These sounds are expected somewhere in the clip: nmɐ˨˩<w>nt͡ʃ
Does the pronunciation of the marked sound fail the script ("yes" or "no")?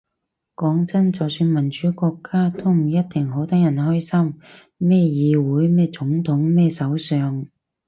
yes